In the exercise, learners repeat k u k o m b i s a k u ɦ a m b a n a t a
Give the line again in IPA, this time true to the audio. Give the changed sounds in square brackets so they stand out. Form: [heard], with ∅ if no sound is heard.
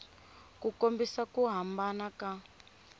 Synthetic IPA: k u k o m b i s a k u ɦ a m b a n a [k] a